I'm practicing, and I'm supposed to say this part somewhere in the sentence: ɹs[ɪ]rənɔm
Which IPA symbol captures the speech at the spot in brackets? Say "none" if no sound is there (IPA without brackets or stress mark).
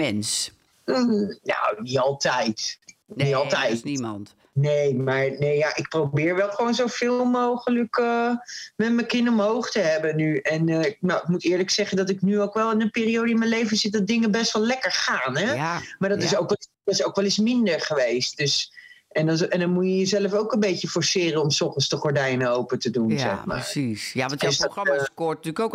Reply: ɪː